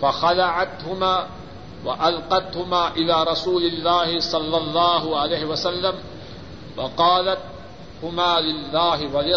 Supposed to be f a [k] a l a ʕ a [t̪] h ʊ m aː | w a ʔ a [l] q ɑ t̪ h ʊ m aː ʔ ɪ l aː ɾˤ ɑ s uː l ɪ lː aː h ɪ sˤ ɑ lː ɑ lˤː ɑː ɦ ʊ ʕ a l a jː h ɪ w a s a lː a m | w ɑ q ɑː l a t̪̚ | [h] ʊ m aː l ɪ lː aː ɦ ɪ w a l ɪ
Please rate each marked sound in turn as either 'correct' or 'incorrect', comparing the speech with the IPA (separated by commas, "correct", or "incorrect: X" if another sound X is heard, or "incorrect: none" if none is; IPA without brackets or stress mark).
incorrect: x, correct, correct, correct